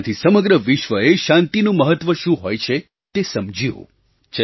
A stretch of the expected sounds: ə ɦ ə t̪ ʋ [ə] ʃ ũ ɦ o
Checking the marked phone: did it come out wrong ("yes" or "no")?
no